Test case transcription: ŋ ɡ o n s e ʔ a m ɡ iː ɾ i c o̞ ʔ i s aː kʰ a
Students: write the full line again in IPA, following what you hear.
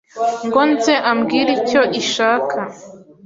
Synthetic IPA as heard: ŋ ɡ o n z e ʔ a m ɡ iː ɾ i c o̞ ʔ i ʃ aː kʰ a